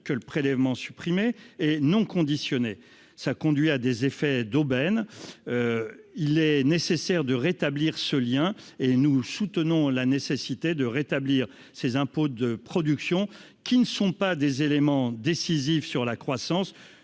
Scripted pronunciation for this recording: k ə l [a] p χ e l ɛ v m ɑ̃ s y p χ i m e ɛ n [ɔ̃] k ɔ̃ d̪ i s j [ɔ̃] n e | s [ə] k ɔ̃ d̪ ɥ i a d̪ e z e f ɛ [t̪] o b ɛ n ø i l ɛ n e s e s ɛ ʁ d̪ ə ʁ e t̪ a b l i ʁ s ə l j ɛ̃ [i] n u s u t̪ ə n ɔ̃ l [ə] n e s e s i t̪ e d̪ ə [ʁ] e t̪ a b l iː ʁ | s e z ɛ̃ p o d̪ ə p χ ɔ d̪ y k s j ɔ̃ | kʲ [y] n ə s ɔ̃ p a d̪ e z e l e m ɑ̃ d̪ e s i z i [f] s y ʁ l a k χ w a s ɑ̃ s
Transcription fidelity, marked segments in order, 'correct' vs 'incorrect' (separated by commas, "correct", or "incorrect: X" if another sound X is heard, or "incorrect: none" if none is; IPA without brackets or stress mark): incorrect: ə, correct, incorrect: ɔ, incorrect: a, incorrect: d̪, incorrect: e, incorrect: a, correct, incorrect: i, correct